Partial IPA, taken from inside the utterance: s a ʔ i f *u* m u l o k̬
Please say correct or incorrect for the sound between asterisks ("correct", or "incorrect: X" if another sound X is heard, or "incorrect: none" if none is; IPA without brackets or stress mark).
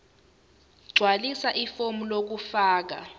incorrect: o